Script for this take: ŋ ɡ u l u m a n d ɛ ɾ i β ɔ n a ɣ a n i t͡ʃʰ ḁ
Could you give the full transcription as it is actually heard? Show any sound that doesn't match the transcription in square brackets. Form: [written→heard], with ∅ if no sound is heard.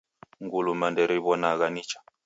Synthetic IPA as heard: ŋ ɡ u l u m a n d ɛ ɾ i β ɔ n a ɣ a n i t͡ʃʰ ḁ

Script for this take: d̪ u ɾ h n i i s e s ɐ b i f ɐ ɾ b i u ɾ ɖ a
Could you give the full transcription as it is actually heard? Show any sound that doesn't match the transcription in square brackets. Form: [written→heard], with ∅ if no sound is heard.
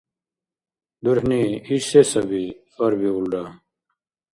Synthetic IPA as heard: d̪ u ɾ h n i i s e s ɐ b i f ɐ ɾ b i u [ɾ→l] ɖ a

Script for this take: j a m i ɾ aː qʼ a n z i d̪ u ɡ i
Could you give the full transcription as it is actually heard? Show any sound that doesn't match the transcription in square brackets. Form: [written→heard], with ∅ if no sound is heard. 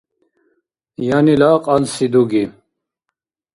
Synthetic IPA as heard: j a [m→n] i [ɾ→l] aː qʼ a n [z→s] i d̪ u ɡ i

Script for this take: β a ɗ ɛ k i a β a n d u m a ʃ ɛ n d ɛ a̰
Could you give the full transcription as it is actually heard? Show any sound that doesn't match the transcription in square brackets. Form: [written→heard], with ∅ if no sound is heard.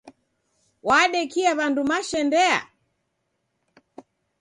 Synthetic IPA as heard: [β→w] a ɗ ɛ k i a β a n d u m a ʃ ɛ n d ɛ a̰

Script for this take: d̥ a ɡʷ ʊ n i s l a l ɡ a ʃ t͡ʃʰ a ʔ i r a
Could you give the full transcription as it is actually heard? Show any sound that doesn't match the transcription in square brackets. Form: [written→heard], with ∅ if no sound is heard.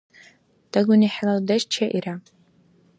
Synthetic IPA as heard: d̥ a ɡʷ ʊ n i [s→ħ] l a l [ɡ→d] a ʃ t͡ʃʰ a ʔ i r a

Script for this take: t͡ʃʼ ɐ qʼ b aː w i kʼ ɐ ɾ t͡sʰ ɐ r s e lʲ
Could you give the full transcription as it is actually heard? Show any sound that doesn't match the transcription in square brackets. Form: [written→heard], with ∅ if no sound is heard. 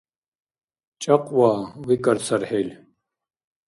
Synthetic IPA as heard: t͡ʃʼ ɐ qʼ [b→w] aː w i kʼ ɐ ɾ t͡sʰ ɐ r [s→ħ] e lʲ

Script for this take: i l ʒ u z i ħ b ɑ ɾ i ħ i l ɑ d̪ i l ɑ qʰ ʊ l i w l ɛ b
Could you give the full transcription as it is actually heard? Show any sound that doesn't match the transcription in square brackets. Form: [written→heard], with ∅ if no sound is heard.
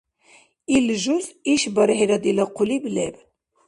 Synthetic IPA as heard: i l ʒ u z i [ħ→ʃ] b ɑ ɾ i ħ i [l→ɾ] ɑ d̪ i l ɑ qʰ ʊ l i [w→b] l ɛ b

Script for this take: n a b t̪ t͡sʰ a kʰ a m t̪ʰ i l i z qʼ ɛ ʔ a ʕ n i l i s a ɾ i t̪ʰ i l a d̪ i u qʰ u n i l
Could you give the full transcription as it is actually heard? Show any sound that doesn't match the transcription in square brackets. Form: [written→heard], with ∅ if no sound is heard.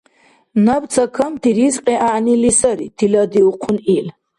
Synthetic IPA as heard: n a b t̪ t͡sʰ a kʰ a m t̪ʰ i [l→ɾ] i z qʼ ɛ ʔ a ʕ n i l i s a ɾ i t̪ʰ i l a d̪ i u qʰ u n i l

